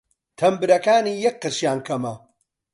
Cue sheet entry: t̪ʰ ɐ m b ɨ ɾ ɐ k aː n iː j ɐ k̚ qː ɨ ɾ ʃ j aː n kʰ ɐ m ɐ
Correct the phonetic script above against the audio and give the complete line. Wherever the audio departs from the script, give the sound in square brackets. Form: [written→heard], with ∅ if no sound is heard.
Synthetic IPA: t̪ʰ ɐ m b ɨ ɾ ɐ k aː n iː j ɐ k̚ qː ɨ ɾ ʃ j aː n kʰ ɐ m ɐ